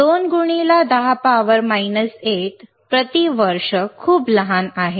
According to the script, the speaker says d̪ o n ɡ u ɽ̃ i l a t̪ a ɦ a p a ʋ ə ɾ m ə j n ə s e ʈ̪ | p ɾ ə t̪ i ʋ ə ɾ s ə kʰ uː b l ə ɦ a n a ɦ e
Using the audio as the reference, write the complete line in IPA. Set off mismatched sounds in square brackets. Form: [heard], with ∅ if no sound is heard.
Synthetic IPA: d̪ o n ɡ u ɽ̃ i l a [d̪] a ɦ a p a ʋ ə ɾ m [a] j n ə s e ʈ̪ | p ɾ ə t̪ i ʋ ə ɾ [ʂ] ə kʰ uː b l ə ɦ a n a ɦ e